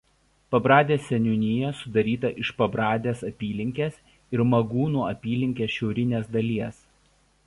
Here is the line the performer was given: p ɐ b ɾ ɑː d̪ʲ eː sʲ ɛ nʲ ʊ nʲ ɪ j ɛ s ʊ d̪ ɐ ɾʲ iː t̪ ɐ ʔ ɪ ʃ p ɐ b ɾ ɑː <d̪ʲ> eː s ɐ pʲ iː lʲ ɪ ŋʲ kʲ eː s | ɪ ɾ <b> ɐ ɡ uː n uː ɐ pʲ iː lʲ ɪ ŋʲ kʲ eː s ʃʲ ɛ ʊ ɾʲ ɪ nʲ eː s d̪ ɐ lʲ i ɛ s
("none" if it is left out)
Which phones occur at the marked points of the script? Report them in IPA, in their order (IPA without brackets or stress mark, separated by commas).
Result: d̪ʲ, m